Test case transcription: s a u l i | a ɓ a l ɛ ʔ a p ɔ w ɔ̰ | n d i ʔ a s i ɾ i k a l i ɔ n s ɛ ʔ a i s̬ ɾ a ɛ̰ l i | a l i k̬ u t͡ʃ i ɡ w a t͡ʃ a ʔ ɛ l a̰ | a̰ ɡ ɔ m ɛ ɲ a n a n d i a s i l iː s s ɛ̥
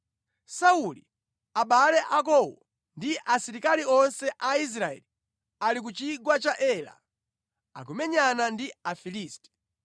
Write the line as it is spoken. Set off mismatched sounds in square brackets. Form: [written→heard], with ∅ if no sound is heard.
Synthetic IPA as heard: s a u l i | a ɓ a l ɛ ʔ a [p→k] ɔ w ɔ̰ | n d i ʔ a s i ɾ i k a l i ɔ n s ɛ ʔ a i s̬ ɾ a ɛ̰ l i | a l i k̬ u t͡ʃ i ɡ w a t͡ʃ a ʔ ɛ l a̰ | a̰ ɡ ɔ m ɛ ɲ a n a n d i a [s→f] i l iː s [s→t] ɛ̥